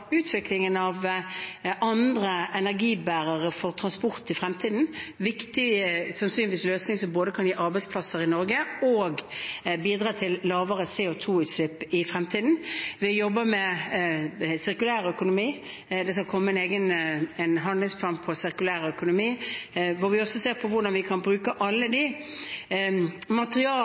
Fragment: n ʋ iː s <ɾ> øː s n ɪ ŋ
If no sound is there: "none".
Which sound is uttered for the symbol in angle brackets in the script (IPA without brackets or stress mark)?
l